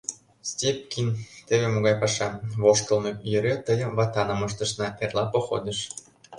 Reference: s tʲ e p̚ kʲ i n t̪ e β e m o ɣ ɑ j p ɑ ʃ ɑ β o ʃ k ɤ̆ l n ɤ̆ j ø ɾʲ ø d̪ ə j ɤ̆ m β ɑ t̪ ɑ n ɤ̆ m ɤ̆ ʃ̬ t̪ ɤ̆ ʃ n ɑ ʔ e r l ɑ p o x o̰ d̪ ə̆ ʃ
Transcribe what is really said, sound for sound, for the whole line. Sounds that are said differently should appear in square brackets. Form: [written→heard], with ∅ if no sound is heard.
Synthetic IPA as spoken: s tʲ e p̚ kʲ i n t̪ e β e m o ɣ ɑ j p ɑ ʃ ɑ β o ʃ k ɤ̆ l n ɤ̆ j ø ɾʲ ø [d̪→t̪] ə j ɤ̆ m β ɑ t̪ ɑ n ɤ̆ m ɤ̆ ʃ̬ t̪ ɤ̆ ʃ n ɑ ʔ e r l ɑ p o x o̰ d̪ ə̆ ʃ